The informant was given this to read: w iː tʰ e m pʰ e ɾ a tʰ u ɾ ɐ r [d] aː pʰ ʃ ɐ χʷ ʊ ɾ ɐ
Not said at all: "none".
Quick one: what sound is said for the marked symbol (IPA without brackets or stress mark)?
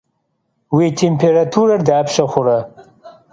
d